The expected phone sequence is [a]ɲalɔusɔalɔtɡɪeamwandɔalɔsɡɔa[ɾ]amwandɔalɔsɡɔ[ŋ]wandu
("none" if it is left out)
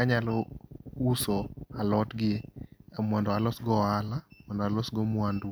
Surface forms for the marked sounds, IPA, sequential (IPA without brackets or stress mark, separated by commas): a, l, m